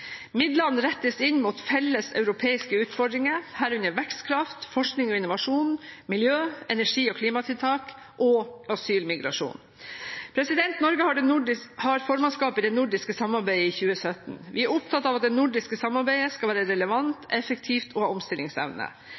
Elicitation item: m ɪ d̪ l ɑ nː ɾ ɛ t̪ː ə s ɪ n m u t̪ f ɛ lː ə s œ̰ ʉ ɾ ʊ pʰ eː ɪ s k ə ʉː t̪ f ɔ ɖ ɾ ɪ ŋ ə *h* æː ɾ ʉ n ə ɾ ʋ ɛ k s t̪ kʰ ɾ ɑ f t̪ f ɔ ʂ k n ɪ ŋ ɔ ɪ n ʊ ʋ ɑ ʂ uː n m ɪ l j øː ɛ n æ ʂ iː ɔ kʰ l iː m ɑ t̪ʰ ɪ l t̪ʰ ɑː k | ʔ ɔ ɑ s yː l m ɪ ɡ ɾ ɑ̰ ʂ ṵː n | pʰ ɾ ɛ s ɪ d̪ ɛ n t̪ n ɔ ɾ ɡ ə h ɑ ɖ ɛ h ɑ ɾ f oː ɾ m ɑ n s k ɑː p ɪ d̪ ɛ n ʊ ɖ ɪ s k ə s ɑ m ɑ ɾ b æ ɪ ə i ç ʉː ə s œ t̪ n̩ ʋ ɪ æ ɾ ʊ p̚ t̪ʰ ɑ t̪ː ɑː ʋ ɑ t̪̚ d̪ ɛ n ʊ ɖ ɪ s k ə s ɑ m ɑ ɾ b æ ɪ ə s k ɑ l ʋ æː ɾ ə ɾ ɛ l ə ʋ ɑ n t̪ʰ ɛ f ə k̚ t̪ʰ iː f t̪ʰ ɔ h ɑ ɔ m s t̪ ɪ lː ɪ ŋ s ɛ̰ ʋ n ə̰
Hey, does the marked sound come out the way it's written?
yes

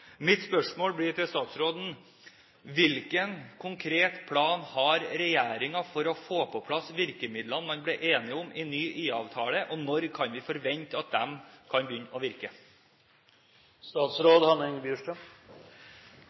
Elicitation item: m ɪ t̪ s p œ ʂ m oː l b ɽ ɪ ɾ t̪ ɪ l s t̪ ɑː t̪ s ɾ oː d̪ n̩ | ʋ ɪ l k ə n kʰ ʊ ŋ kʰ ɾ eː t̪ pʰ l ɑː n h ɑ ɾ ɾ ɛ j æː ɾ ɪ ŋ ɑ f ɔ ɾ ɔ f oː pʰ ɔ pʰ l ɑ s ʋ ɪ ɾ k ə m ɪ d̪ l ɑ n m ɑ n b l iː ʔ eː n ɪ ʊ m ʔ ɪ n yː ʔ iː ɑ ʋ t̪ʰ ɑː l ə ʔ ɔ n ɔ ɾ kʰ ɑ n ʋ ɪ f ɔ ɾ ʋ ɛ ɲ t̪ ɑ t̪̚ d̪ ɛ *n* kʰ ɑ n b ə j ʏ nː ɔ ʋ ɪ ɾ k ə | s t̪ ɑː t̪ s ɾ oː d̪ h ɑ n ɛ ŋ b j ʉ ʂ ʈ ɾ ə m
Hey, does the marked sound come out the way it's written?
no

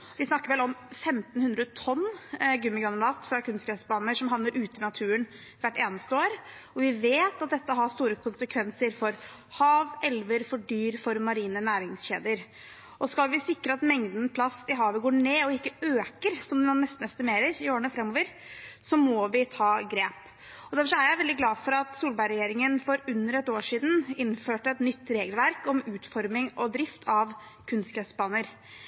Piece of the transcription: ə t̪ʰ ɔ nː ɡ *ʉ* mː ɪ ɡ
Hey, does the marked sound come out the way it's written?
yes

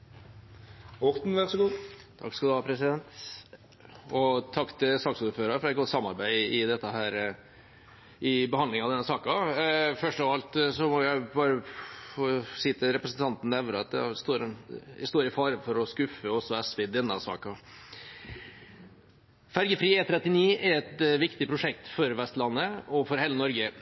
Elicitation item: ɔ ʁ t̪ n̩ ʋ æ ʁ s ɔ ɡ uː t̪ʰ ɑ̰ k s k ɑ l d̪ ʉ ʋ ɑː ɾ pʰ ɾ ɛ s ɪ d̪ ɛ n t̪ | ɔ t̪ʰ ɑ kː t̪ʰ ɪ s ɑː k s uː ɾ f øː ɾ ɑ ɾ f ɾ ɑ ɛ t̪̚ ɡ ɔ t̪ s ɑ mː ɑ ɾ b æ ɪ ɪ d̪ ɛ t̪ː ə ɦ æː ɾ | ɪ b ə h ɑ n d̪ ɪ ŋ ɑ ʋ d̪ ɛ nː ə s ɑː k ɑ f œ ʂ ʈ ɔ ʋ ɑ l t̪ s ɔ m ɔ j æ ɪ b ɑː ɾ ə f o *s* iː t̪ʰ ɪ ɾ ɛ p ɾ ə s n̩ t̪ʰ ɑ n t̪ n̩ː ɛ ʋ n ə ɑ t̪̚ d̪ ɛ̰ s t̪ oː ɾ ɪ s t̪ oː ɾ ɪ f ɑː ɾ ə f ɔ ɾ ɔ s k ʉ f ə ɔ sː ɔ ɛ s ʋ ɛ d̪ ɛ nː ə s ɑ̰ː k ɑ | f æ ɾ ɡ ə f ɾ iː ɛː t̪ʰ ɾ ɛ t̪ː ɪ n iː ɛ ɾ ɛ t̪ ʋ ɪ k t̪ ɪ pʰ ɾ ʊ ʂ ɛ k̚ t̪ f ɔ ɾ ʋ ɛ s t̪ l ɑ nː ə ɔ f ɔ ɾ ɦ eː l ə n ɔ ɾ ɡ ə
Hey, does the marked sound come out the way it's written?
yes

